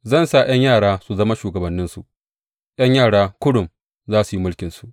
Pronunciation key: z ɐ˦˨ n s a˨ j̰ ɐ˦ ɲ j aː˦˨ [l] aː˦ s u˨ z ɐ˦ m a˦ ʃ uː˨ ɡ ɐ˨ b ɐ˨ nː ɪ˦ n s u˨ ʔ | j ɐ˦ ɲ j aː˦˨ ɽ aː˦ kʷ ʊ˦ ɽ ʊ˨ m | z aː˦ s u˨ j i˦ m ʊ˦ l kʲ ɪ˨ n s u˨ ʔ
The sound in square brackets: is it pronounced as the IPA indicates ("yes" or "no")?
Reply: no